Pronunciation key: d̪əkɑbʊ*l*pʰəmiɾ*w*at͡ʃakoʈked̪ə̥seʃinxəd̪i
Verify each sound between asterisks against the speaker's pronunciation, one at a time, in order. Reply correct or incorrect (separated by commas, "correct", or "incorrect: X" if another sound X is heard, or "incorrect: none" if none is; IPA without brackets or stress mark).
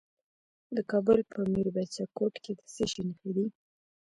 correct, incorrect: b